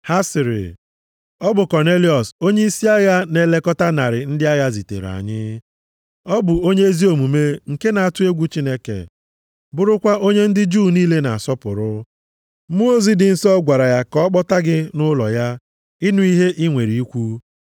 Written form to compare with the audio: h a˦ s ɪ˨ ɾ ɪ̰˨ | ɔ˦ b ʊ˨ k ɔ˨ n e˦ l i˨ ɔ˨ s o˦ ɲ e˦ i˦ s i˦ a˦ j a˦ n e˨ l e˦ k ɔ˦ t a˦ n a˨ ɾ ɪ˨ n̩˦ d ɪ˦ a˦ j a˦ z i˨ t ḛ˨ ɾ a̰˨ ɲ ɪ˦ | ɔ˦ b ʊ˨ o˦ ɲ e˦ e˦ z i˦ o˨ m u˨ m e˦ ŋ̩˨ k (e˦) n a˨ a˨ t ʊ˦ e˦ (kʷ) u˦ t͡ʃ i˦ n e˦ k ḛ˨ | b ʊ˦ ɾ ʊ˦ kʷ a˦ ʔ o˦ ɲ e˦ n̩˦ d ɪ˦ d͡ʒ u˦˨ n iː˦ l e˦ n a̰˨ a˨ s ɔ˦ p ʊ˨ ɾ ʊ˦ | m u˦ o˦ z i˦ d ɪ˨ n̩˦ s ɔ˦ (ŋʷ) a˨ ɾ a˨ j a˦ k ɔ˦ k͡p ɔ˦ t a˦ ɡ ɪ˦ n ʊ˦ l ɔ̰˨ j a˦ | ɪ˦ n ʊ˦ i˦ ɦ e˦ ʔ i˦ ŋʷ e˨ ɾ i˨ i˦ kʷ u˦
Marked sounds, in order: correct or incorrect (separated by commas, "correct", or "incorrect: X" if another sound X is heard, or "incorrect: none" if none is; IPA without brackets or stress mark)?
correct, incorrect: ɡʷ, incorrect: ɡʷ